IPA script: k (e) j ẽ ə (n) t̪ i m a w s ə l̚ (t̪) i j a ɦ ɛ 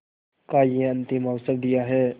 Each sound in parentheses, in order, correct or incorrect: incorrect: a, correct, incorrect: d̪

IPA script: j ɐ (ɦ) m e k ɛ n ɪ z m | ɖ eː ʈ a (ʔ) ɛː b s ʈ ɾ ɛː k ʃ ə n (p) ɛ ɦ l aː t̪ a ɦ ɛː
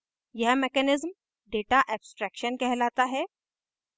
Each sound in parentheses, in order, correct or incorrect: correct, correct, incorrect: k

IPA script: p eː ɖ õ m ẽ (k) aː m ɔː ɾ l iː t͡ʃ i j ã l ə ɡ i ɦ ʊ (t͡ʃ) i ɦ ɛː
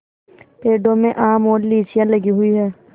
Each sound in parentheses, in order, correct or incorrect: incorrect: ʔ, incorrect: none

